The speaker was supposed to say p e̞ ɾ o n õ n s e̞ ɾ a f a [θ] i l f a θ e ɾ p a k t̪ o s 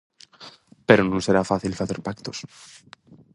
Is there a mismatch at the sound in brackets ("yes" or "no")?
no